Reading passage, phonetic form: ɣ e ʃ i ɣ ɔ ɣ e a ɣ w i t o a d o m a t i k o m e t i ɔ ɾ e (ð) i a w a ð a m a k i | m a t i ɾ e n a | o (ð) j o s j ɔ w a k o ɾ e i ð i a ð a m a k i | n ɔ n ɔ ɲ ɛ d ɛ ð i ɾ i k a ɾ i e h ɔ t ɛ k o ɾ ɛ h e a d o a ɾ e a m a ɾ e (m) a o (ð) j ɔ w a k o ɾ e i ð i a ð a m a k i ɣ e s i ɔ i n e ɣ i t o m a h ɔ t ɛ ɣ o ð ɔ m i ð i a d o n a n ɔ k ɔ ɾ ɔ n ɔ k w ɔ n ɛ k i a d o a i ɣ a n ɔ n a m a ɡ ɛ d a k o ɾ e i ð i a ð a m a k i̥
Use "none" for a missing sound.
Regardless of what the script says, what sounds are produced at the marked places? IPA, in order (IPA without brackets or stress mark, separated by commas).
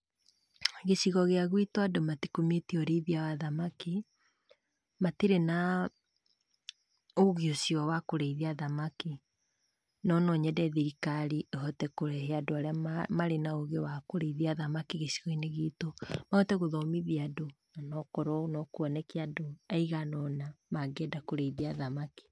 ð, ɣ, n, ɣ